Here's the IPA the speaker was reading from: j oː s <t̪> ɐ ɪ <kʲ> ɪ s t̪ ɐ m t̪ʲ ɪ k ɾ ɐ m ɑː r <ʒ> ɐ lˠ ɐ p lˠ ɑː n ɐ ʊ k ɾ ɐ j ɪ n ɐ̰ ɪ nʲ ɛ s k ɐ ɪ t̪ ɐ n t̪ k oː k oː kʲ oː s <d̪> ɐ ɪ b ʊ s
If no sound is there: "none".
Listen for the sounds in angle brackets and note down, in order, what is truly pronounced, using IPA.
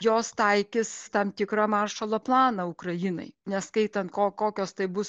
t̪, kʲ, ʃ, t̪

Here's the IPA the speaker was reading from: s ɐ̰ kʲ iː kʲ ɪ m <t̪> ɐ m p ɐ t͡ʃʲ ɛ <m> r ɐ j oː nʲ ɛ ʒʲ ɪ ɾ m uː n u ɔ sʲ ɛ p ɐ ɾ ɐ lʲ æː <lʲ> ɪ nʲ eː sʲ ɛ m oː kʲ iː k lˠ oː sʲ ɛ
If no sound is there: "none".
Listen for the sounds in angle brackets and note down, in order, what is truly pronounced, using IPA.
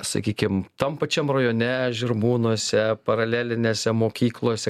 t̪, m, lʲ

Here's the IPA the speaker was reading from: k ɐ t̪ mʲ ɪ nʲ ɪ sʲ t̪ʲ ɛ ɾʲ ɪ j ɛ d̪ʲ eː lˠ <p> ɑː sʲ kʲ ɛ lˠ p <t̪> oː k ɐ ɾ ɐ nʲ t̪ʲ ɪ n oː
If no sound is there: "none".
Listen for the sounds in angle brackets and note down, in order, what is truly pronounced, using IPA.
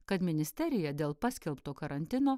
p, t̪

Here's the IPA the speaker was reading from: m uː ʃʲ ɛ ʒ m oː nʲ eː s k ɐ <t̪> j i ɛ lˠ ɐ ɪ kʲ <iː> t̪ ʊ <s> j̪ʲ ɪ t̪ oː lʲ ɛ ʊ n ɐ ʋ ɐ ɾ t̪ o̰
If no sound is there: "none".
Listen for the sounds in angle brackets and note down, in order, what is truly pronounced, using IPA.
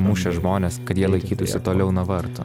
t̪, iː, s

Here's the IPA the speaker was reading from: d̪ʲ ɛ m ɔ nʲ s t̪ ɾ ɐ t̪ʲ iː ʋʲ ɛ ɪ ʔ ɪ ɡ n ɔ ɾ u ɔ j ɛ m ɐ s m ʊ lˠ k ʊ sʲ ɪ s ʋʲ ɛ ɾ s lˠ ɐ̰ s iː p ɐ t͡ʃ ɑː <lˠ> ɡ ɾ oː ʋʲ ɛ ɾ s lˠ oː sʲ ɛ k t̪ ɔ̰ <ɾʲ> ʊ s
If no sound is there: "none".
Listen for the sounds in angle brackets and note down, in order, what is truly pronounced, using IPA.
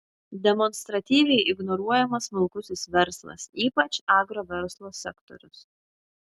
none, ɾʲ

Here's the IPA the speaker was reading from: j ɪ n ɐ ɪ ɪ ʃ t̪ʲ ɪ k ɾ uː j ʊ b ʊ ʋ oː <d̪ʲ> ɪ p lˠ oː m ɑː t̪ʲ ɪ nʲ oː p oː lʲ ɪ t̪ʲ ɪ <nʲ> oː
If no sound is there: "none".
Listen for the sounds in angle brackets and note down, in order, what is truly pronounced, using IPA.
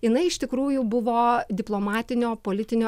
d̪ʲ, nʲ

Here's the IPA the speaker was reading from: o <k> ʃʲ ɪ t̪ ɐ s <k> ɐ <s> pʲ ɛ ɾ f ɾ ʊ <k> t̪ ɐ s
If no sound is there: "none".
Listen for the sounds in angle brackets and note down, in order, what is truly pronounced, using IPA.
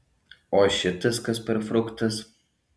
none, k, s, k

